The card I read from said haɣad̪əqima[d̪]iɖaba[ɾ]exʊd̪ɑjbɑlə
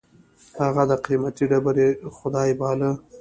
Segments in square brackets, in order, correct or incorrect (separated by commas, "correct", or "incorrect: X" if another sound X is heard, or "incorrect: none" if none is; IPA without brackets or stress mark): incorrect: t̪, correct